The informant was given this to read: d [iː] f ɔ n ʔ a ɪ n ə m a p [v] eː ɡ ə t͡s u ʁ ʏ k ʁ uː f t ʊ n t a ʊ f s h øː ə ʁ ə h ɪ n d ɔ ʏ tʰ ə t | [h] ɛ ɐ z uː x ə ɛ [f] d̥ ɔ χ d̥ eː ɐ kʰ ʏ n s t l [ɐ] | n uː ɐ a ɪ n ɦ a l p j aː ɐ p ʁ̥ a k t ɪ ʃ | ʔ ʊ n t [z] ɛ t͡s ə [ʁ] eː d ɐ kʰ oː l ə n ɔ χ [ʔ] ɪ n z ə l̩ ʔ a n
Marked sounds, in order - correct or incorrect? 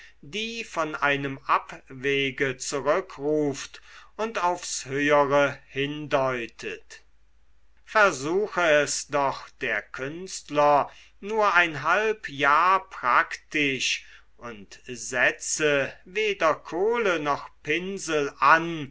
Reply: correct, correct, incorrect: f, incorrect: s, correct, correct, incorrect: v, incorrect: p

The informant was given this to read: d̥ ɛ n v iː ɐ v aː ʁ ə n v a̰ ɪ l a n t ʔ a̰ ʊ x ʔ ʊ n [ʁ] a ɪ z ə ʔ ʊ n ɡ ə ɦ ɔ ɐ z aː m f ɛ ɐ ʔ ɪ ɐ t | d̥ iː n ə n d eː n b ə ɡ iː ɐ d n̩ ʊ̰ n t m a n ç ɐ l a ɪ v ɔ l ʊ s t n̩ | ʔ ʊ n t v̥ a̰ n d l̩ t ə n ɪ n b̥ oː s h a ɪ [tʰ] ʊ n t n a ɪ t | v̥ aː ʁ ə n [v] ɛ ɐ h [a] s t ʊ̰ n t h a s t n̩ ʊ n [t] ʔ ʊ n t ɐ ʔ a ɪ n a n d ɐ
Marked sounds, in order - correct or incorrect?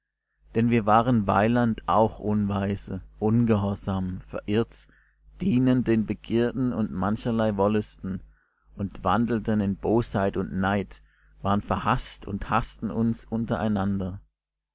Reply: incorrect: v, incorrect: t, incorrect: f, correct, incorrect: s

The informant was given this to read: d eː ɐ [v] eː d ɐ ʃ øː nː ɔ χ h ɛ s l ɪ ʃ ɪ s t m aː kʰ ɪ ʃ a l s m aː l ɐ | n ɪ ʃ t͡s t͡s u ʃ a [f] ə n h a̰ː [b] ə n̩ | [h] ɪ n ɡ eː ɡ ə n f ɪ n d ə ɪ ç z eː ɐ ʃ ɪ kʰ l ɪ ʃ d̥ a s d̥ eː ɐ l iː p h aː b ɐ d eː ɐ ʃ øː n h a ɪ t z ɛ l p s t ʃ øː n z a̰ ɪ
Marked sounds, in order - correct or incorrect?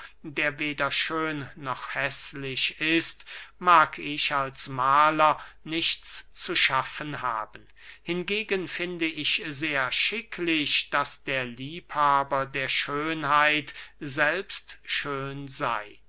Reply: correct, correct, correct, correct

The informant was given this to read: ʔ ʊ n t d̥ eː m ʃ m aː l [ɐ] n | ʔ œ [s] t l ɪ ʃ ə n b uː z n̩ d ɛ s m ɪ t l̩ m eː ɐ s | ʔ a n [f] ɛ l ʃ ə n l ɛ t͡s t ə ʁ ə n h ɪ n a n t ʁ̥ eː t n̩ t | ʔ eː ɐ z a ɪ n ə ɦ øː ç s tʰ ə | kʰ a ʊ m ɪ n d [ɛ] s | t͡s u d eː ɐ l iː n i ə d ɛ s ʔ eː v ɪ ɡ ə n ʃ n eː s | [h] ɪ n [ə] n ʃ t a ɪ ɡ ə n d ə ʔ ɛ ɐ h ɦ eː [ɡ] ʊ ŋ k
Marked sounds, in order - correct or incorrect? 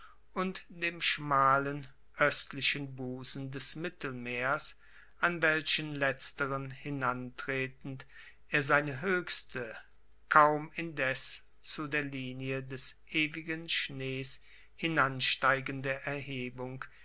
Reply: incorrect: ə, correct, incorrect: v, correct, correct, incorrect: a, incorrect: b

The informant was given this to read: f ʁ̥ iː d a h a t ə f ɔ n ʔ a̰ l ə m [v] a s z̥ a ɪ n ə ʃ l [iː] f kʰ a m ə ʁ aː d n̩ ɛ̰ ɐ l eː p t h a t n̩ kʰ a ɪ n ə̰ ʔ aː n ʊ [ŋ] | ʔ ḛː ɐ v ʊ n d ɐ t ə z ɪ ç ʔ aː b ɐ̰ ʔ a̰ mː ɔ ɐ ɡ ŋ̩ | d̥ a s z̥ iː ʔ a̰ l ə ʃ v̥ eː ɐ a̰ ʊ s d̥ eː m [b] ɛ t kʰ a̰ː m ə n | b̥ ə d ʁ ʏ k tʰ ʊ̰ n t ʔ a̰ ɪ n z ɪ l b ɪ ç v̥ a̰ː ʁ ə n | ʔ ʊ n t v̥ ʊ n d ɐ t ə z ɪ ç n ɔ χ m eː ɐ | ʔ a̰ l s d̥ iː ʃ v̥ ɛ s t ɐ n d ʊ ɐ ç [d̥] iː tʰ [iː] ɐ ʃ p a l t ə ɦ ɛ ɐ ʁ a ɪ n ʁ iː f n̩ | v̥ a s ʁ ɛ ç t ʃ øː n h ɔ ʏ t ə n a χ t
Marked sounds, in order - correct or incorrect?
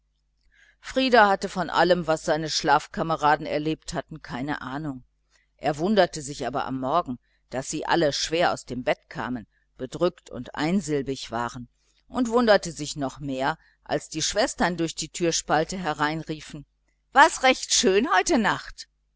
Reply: correct, incorrect: aː, correct, correct, correct, incorrect: yː

